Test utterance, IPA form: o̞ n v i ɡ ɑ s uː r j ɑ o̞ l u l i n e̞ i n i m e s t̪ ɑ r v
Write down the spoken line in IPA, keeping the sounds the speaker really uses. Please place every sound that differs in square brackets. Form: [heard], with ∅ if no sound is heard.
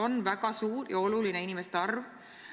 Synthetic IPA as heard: o̞ n v [æ] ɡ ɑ s uː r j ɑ o̞ l u l i n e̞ i n i m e s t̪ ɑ r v